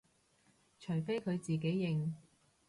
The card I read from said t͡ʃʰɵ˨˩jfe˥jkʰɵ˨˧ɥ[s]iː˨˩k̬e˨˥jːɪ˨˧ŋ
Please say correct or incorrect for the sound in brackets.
incorrect: t͡s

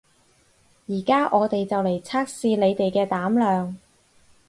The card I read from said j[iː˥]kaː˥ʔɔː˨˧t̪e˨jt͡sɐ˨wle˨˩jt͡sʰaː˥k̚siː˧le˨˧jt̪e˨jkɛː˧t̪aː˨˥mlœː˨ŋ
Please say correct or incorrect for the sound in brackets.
incorrect: iː˨˩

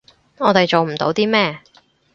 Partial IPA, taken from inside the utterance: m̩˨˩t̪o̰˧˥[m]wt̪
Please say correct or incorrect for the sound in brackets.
incorrect: none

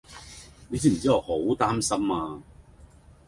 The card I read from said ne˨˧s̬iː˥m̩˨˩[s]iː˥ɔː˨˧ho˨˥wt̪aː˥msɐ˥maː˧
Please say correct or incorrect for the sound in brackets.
incorrect: t͡s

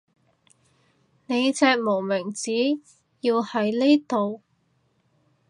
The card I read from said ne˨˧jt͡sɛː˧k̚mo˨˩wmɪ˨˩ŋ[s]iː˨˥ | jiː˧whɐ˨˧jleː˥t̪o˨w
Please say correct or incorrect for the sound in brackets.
incorrect: t͡s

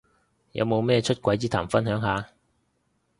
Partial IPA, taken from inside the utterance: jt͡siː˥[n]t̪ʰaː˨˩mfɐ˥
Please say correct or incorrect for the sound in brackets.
incorrect: none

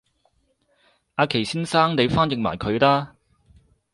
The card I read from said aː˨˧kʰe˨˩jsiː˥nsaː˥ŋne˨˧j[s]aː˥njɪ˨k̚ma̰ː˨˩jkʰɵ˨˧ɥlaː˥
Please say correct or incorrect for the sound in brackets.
incorrect: f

